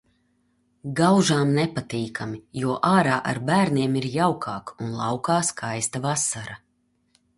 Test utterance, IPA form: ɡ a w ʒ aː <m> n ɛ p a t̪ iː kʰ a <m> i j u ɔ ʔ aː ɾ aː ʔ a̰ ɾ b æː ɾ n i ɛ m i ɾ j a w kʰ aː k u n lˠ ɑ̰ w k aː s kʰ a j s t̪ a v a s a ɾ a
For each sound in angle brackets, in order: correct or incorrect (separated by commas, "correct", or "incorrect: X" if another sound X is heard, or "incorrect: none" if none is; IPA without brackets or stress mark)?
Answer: correct, correct